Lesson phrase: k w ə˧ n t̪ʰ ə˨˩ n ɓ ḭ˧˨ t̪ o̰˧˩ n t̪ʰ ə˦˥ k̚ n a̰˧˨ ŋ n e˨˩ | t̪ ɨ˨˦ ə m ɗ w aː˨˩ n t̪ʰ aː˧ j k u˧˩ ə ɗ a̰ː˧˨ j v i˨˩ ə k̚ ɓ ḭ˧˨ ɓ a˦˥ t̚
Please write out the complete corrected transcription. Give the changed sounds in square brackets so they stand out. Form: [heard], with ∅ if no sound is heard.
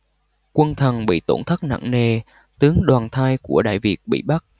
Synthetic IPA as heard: k w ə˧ n t̪ʰ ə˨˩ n ɓ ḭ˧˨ t̪ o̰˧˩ n t̪ʰ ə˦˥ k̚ n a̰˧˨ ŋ n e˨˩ | t̪ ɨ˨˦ ə [ŋ] ɗ w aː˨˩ n t̪ʰ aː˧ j k u˧˩ ə ɗ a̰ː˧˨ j v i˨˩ ə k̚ ɓ ḭ˧˨ ɓ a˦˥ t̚